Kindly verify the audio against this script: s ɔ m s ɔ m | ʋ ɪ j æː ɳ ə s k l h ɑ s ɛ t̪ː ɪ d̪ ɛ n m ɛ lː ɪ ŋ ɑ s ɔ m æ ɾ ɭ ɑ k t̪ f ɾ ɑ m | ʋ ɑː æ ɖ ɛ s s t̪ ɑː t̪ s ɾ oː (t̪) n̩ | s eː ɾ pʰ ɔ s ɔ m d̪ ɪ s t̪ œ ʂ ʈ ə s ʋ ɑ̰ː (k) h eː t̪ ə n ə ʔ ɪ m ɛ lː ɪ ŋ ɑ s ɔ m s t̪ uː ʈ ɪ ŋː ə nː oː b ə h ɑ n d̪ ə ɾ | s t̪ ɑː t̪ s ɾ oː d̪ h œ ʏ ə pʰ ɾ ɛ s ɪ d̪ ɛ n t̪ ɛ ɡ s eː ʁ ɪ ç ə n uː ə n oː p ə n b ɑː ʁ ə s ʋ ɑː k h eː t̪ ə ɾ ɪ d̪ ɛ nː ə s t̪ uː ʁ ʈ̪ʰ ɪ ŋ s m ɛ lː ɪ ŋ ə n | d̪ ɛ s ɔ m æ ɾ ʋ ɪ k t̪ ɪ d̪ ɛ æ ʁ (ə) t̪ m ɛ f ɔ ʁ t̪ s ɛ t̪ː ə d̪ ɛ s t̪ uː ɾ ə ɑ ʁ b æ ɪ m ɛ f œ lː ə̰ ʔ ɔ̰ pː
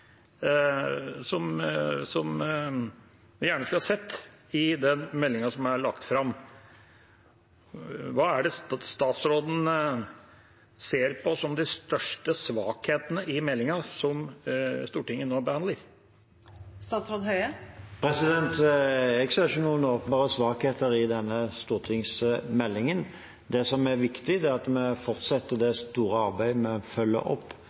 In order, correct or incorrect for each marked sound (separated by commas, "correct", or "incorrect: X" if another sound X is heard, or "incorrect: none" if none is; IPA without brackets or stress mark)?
incorrect: d̪, correct, incorrect: ɑ